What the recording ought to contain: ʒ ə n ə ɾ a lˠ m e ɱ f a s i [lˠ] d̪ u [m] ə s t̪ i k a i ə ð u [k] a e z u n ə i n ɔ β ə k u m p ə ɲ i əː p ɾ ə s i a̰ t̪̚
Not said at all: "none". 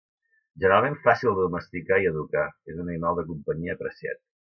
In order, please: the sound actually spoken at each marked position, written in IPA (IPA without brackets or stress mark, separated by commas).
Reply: lˠ, m, k